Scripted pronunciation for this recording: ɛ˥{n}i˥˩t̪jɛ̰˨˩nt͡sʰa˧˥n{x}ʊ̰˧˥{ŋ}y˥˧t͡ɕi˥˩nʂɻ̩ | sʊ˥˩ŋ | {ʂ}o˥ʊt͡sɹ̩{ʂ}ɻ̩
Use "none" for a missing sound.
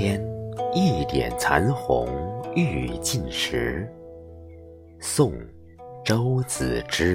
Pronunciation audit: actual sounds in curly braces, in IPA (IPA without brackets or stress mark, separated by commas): n, x, ŋ, ʈ͡ʂ, ʈ͡ʂ